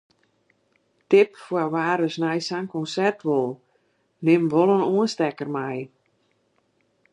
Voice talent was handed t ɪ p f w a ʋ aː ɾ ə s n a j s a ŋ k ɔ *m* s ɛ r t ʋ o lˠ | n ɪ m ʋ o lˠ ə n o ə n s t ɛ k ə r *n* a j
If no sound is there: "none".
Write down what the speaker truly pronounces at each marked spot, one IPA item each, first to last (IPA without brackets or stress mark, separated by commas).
n, m